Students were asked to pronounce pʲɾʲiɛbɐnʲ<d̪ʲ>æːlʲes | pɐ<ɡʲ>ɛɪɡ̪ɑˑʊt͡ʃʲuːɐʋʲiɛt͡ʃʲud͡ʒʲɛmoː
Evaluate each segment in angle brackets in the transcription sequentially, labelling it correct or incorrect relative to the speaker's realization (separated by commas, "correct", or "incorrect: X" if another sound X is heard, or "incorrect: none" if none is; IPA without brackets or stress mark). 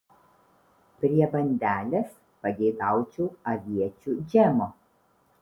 correct, correct